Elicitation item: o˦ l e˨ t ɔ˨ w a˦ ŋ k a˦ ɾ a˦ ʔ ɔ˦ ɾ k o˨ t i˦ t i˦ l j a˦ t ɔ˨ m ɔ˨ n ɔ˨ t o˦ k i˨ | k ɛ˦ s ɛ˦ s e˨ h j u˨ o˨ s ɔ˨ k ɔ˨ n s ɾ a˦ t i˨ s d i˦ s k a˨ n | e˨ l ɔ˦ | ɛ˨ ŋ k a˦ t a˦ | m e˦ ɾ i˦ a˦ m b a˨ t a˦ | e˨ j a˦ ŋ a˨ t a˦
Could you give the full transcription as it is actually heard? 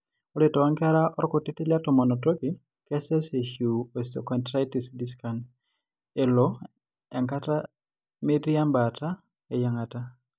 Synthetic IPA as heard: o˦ l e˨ t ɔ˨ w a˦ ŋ k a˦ ɾ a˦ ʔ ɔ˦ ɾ k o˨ t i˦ t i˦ l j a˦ t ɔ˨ m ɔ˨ n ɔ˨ t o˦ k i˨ | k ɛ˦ s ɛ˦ s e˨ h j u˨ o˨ s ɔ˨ k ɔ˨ n t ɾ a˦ t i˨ s d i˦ s k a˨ n | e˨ l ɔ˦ | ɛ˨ ŋ k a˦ t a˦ | m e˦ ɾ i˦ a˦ m b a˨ t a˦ | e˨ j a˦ ŋ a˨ t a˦